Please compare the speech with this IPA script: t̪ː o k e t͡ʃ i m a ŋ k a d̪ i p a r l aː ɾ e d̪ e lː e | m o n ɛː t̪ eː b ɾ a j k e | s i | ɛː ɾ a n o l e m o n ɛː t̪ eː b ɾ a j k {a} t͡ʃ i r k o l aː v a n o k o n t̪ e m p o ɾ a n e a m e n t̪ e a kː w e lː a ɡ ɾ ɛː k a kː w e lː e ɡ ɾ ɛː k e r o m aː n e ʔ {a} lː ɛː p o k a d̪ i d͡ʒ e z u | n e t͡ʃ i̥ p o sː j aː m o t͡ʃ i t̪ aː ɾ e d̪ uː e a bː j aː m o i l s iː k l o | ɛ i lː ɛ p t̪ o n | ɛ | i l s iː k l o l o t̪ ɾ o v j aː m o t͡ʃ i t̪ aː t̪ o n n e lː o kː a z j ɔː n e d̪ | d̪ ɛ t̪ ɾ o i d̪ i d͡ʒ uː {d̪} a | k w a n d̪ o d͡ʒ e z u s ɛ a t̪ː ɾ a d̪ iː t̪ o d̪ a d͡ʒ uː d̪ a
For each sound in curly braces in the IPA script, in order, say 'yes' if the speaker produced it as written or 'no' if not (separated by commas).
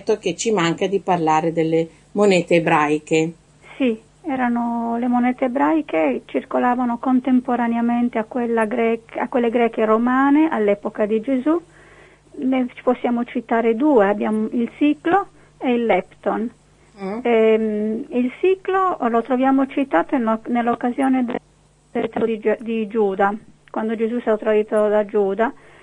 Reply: no, yes, yes